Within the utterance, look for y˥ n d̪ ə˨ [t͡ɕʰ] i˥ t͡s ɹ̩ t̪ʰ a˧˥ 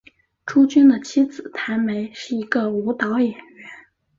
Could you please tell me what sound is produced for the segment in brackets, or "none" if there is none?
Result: t͡ɕʰ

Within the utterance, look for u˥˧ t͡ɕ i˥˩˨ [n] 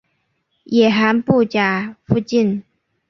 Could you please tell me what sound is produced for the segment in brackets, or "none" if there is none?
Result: n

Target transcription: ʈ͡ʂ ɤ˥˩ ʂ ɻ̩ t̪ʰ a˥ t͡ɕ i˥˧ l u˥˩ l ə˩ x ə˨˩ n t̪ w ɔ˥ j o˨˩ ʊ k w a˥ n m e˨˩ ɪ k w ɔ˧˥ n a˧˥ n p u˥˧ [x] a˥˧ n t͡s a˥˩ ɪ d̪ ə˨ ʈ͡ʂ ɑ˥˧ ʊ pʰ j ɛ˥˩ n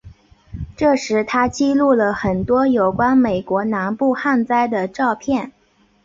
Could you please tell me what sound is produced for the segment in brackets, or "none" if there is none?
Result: x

